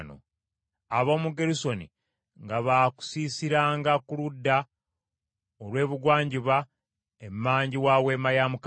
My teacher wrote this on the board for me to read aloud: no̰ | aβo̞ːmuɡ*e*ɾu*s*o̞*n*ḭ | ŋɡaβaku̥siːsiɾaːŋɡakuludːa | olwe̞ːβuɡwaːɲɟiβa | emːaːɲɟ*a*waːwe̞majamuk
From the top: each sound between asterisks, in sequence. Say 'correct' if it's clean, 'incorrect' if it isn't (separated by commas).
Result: correct, correct, correct, incorrect